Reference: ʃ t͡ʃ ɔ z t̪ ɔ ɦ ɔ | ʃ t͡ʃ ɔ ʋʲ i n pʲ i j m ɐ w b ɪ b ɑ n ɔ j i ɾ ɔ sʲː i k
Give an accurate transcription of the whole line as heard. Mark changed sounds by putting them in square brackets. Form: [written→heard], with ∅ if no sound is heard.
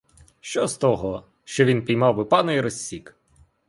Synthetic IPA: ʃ t͡ʃ ɔ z t̪ ɔ ɦ ɔ | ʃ t͡ʃ ɔ ʋʲ i n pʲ i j m [ɐ→ɑ] w b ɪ [b→p] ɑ n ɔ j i ɾ ɔ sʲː i k